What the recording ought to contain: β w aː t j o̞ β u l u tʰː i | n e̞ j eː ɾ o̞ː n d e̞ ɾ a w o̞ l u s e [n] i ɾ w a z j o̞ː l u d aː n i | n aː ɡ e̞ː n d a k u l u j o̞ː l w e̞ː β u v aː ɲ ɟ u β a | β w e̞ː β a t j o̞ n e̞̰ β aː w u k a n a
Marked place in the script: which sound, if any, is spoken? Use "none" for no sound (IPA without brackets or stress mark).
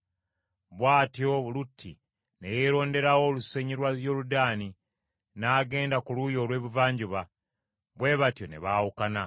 ɲ